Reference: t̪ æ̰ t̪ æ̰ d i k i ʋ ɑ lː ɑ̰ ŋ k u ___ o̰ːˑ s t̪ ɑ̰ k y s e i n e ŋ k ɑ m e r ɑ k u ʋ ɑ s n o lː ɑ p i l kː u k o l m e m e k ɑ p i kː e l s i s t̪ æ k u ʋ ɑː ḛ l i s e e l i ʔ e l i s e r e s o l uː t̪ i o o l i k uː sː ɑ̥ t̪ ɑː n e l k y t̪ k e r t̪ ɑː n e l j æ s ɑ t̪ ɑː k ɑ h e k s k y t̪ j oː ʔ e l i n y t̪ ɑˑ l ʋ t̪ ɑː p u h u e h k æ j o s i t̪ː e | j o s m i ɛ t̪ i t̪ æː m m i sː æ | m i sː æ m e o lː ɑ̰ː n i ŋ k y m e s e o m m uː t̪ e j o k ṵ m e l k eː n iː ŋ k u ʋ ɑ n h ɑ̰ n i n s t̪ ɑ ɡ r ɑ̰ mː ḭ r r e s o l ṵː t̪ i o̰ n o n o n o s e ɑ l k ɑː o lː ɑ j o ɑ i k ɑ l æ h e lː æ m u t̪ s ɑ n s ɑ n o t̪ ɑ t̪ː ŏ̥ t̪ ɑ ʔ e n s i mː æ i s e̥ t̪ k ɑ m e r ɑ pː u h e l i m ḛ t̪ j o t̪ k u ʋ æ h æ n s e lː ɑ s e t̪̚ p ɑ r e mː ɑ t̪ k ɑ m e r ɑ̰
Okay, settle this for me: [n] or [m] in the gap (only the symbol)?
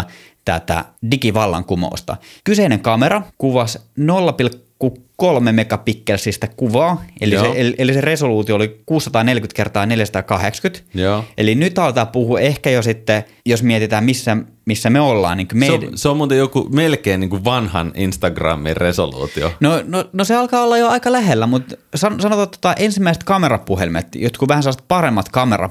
m